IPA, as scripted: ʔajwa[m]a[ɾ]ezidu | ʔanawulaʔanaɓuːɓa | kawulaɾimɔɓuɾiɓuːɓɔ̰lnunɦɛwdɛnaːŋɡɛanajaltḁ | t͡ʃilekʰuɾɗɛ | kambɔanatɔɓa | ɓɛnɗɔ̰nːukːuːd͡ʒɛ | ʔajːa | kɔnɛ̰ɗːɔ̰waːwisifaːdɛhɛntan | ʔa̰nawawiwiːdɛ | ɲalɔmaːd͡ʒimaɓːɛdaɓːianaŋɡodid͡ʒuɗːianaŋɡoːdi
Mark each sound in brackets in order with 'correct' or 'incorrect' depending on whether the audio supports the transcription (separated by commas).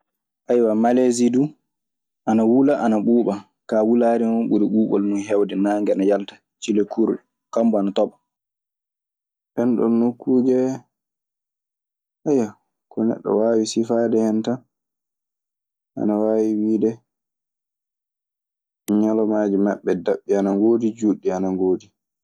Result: correct, incorrect